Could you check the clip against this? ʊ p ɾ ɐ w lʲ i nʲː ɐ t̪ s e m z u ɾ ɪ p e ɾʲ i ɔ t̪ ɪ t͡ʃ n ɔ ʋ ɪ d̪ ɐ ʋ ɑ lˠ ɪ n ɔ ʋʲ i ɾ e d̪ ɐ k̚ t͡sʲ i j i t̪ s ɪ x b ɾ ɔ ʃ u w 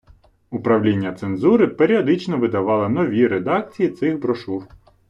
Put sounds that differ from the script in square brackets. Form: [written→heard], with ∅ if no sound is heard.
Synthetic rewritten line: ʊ p ɾ ɐ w lʲ i nʲː ɐ t̪ s e [m→n] z u ɾ ɪ p e ɾʲ i ɔ [t̪→d̪] ɪ t͡ʃ n ɔ ʋ ɪ d̪ ɐ ʋ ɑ lˠ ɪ n ɔ ʋʲ i ɾ e d̪ [ɐ→ɑ] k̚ t͡sʲ i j i t̪ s ɪ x b ɾ ɔ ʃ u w